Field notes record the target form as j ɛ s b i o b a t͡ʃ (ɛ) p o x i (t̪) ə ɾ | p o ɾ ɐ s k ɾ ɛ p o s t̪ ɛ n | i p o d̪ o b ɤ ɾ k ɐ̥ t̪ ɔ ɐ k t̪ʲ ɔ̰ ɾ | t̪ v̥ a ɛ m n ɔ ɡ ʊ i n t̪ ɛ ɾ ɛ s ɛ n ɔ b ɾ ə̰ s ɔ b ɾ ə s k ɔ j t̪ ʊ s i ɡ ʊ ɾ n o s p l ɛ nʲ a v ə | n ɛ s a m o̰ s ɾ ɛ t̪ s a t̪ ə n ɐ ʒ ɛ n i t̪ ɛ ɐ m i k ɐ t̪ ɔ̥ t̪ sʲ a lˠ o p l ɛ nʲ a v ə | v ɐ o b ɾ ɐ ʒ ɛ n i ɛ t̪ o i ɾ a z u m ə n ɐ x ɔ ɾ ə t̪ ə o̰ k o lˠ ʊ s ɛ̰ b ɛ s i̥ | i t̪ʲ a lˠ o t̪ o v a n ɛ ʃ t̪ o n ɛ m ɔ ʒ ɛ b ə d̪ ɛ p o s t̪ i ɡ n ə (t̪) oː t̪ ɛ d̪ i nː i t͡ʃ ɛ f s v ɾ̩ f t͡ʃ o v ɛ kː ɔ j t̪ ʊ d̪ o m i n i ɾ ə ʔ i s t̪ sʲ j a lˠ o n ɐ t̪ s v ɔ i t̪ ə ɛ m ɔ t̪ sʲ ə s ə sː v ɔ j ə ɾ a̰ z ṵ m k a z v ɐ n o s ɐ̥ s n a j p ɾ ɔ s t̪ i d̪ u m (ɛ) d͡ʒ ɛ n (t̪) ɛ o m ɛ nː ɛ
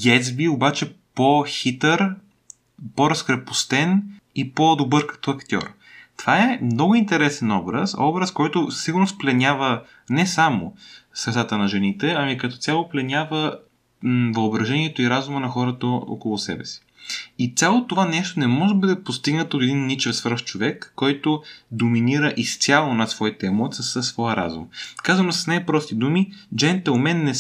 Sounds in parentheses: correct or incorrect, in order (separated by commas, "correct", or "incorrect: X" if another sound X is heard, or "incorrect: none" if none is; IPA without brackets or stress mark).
correct, correct, correct, incorrect: i, correct